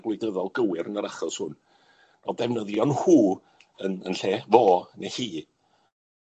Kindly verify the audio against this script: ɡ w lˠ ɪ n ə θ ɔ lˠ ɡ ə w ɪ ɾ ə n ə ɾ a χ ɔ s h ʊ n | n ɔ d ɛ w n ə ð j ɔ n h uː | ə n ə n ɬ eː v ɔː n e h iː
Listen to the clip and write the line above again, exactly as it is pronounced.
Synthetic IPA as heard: ɡ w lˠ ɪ d ə ð ɔ lˠ ɡ ə w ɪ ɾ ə n ə ɾ a χ ɔ s h ʊ n | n ɔ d ɛ v n ə ð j ɔ n h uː | ə n ə n ɬ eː v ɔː n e h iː